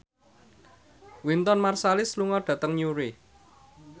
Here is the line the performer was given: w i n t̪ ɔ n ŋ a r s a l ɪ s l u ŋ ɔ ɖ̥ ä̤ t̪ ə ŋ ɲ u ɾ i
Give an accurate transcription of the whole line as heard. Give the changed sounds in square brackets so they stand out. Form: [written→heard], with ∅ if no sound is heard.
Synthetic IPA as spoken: w i n t̪ ɔ n [ŋ→m] a r s a l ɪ s l u ŋ ɔ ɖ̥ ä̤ t̪ ə ŋ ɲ u ɾ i